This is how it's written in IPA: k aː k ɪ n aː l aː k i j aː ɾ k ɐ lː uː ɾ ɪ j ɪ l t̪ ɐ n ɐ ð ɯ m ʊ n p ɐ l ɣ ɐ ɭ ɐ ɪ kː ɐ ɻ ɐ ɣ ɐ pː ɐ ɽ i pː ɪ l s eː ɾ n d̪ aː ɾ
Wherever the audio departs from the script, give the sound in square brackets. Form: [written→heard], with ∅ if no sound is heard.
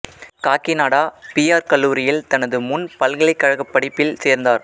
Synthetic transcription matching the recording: k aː k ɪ n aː [l→ɽ] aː [k→p] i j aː ɾ k ɐ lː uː ɾ ɪ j ɪ l t̪ ɐ n ɐ ð ɯ m ʊ n p ɐ l ɣ ɐ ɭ ɐ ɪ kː ɐ ɻ ɐ ɣ ɐ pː ɐ ɽ [i→ɪ] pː ɪ l s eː ɾ n d̪ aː ɾ